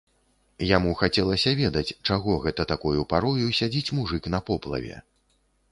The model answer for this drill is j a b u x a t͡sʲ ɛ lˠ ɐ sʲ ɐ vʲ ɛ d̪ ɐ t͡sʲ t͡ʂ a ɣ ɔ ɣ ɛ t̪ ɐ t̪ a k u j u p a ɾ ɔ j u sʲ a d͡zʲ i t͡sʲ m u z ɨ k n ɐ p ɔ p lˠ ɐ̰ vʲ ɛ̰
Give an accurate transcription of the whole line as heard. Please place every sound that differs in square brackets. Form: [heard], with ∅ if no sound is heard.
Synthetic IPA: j a [m] u x a t͡sʲ ɛ lˠ ɐ sʲ ɐ vʲ ɛ d̪ ɐ t͡sʲ t͡ʂ a ɣ ɔ ɣ ɛ t̪ ɐ t̪ a k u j u p a ɾ ɔ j u sʲ a d͡zʲ i t͡sʲ m u [ʐ] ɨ k n ɐ p ɔ p lˠ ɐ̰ vʲ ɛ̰